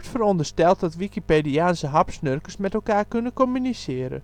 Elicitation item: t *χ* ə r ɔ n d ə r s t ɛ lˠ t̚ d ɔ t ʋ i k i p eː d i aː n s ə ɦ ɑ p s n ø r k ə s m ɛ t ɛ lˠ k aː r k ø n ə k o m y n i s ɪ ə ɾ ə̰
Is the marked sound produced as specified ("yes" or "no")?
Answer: no